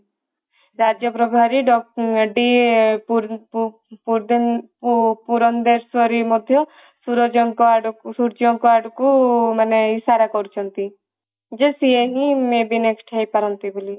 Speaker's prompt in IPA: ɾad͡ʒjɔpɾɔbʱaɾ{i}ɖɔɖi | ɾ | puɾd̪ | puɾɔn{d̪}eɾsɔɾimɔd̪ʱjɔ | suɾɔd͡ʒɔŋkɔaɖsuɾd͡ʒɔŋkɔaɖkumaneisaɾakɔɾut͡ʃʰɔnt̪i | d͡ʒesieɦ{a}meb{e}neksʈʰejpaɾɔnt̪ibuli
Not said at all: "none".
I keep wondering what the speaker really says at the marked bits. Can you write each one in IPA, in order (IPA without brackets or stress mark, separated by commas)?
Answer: i, d̪, i, i